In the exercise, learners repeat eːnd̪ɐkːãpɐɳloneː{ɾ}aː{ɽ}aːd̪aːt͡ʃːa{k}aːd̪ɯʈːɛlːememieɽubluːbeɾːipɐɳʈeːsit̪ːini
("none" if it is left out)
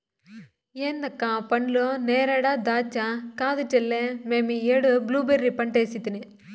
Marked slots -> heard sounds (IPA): ɾ, ɽ, k

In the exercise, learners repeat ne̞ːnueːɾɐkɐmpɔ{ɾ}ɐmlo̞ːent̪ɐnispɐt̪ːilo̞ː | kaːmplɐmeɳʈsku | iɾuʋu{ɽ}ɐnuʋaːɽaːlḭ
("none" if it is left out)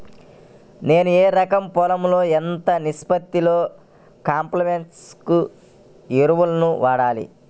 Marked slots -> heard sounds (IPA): l, l

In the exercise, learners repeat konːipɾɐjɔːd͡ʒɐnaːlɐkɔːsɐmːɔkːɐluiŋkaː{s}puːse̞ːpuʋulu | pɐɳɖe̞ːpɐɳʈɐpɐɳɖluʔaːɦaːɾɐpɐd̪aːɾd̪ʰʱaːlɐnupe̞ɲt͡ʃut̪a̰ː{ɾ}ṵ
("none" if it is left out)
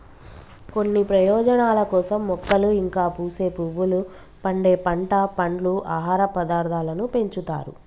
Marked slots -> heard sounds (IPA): none, ɾ

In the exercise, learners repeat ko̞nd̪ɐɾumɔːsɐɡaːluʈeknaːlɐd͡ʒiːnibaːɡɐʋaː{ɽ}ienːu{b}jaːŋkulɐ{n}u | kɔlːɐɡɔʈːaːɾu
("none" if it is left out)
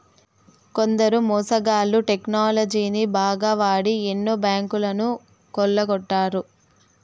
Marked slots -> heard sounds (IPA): ɽ, b, n

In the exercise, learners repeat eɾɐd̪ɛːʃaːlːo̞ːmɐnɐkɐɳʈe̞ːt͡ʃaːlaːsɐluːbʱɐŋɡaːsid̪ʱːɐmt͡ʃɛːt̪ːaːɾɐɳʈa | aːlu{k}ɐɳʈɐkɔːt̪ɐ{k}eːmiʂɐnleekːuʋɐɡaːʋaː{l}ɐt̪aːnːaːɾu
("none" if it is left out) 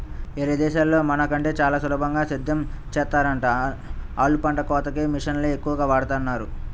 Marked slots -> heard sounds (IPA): p, k, ɽ

